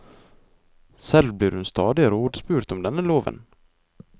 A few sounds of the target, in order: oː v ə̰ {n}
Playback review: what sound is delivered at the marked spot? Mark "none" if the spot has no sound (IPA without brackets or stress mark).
n